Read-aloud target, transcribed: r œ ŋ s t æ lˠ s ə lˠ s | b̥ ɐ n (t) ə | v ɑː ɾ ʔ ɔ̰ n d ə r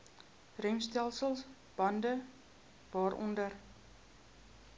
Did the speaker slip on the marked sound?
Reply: yes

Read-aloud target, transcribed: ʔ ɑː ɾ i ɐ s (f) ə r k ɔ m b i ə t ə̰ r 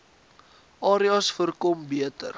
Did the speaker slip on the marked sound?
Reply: no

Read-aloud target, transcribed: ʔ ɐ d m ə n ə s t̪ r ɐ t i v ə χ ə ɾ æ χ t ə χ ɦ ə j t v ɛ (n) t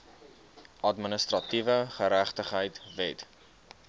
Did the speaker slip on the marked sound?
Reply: yes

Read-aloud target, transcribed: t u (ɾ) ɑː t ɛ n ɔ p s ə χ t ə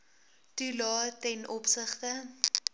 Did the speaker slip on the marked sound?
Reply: yes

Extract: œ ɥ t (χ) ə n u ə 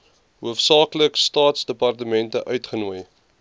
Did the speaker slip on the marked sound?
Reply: no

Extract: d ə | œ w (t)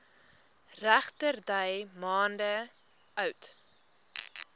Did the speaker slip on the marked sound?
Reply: no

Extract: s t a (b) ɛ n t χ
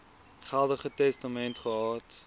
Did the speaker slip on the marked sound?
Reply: yes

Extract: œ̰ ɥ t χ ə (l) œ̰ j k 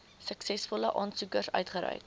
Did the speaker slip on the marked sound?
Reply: yes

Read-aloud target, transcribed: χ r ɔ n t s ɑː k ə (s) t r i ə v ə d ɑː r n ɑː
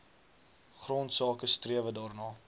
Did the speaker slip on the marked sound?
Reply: no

